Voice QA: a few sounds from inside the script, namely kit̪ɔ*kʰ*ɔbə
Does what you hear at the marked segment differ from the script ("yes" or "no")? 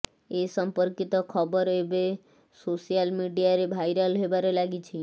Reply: no